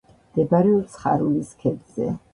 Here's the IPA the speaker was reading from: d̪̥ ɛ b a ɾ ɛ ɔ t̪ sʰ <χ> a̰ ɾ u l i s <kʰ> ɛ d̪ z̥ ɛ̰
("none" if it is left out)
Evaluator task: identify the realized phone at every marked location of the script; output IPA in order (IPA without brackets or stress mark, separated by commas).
χ, kʰ